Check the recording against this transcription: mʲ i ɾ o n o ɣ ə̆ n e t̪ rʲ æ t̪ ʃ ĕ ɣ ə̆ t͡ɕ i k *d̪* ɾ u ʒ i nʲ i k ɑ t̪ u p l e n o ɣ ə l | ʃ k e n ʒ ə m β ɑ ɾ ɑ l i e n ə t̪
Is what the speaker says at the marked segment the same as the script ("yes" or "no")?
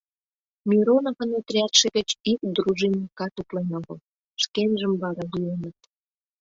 yes